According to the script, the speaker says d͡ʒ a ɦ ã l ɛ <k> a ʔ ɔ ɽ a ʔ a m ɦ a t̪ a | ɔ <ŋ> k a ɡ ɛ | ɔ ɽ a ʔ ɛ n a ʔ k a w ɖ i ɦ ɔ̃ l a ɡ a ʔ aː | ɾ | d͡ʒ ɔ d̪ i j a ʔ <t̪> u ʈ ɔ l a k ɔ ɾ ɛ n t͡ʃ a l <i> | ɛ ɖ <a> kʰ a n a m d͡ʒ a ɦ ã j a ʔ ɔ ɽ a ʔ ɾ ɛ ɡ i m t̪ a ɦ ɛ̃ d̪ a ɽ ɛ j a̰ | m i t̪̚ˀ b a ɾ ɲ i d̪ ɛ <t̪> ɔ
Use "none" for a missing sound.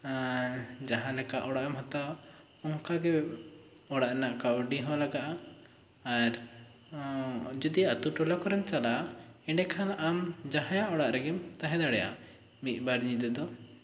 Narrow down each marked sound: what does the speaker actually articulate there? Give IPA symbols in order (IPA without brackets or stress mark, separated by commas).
k, ŋ, t̪, a, ɛ, d̪